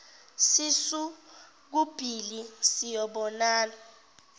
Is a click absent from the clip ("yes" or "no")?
yes